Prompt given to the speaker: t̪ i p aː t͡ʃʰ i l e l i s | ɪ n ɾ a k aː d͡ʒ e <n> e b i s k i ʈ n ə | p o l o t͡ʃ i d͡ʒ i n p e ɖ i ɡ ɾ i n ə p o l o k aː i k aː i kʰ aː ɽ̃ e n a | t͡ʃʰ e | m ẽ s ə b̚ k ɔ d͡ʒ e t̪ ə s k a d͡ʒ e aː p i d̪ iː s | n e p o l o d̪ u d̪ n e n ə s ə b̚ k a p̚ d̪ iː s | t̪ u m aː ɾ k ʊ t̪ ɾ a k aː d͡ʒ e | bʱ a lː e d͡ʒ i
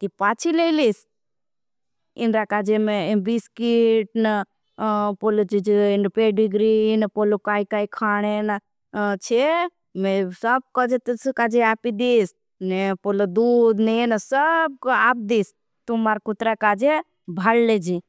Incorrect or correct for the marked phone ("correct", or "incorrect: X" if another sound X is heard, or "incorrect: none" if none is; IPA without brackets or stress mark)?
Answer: incorrect: m